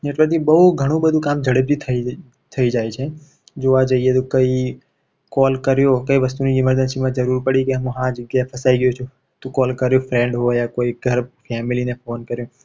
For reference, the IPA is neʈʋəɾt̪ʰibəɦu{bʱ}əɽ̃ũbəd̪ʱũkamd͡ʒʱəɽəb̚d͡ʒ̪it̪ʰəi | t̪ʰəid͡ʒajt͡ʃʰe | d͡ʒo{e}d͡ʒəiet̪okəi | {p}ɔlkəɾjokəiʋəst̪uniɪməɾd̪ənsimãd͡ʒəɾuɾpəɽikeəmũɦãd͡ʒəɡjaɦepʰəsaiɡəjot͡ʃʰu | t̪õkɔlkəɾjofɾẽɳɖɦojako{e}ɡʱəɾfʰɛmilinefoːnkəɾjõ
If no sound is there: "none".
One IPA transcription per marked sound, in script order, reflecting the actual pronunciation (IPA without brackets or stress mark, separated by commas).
ɡʱ, a, k, i